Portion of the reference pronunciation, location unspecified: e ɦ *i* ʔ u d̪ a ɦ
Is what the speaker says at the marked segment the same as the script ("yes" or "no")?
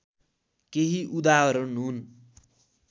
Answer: yes